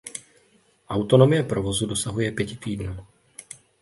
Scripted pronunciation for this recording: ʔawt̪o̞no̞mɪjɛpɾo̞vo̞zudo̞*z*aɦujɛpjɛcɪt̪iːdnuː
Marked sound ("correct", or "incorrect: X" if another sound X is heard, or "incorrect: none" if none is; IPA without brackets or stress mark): incorrect: s